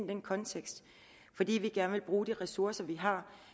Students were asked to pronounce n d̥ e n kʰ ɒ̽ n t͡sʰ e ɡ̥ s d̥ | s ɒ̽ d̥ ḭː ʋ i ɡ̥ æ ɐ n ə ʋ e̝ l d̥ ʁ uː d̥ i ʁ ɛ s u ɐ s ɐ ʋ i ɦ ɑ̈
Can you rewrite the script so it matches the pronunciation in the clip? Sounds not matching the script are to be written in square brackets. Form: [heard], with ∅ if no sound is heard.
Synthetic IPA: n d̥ e n kʰ ɒ̽ n t͡sʰ e ɡ̥ s d̥ | [f] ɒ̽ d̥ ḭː ʋ i ɡ̥ æ ɐ n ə ʋ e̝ l [b̥] ʁ uː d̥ i ʁ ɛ s u ɐ s ɐ ʋ i ɦ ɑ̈